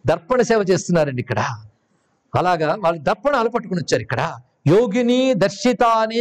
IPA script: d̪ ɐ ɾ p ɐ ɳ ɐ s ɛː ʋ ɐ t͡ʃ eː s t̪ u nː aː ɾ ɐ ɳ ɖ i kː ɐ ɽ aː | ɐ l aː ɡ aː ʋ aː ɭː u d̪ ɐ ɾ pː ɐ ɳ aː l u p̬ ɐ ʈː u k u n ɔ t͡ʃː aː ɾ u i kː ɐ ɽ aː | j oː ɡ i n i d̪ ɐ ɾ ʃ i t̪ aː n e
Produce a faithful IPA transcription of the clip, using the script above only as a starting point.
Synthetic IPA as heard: d̪ ɐ ɾ p ɐ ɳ ɐ s ɛː ʋ ɐ t͡ʃ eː s t̪ u nː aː ɾ ɐ ɳ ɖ i kː ɐ ɽ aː | ɐ l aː ɡ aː ʋ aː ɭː u d̪ ɐ ɾ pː ɐ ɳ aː l u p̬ ɐ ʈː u k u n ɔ t͡ʃː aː ɾ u i kː ɐ ɽ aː | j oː ɡ i n i d̪ ɐ ɾ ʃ i t̪ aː n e